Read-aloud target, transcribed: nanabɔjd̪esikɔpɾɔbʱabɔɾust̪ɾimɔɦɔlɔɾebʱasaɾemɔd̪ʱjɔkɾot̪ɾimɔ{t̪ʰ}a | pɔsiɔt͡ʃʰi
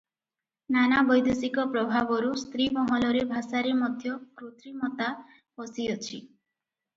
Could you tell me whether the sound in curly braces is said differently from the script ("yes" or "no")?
yes